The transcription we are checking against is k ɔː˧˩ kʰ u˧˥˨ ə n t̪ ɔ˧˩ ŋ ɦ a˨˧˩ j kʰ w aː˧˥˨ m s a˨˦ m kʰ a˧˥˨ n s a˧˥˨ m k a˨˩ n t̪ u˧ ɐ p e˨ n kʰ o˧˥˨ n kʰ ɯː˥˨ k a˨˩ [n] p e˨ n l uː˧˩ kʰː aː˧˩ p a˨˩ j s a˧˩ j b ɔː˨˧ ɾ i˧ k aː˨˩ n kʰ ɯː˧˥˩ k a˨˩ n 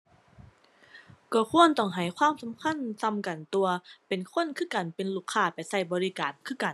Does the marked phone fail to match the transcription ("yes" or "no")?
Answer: no